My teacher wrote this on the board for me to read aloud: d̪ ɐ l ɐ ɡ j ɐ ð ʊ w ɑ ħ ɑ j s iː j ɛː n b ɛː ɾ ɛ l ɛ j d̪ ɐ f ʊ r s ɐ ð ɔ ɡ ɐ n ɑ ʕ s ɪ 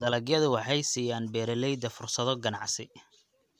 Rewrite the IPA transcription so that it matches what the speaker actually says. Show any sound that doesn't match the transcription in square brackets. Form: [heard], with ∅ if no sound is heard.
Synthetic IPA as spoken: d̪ ɐ l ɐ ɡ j ɐ ð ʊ w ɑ ħ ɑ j s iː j [aː] n b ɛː ɾ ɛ l ɛ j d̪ ɐ f ʊ r s ɐ ð ɔ ɡ ɐ n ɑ ʕ s ɪ